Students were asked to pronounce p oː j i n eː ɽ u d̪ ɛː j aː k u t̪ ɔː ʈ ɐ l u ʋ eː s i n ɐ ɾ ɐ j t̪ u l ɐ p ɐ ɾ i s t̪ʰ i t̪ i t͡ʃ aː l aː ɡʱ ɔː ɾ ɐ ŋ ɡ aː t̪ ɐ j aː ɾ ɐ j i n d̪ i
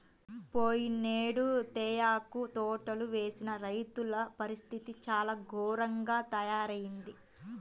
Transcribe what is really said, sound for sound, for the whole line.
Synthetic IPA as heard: p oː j i n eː ɽ u t̪ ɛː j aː k u t̪ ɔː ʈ ɐ l u ʋ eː s i n ɐ ɾ ɐ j t̪ u l ɐ p ɐ ɾ i s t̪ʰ i t̪ i t͡ʃ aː l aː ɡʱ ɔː ɾ ɐ ŋ ɡ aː t̪ ɐ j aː ɾ ɐ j i n d̪ i